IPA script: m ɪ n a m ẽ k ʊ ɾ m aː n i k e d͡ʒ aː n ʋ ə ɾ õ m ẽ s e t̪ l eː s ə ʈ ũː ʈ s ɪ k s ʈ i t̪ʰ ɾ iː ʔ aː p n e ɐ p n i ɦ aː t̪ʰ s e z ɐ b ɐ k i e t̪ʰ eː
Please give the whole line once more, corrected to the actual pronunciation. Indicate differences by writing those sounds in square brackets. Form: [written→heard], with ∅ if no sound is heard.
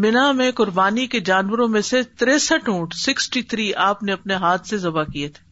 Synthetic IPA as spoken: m ɪ n a m ẽ k ʊ ɾ [m→b] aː n i k e d͡ʒ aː n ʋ ə ɾ õ m ẽ s e t̪ [l→ɾ] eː s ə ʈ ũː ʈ s ɪ k s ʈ i t̪ʰ ɾ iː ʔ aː p n e ɐ p n [i→e] ɦ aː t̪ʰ s e z ɐ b [ɐ→a] k i e t̪ʰ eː